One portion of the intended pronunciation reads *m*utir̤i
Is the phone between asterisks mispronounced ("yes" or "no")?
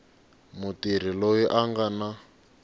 no